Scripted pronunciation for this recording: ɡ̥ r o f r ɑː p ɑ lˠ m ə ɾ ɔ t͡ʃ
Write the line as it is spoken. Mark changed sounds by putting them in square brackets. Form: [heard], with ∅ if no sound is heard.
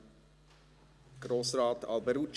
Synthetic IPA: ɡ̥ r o [s] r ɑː [t] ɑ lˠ [b] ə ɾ [u] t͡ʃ